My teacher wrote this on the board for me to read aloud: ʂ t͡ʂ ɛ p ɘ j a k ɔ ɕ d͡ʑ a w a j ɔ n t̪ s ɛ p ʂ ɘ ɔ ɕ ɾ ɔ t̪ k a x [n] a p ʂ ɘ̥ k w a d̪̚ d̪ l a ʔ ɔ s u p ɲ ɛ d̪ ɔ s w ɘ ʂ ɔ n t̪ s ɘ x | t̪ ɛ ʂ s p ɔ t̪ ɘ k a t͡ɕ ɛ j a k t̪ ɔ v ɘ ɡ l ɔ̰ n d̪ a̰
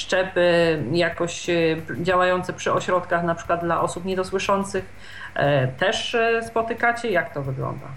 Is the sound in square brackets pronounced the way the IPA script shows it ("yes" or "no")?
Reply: yes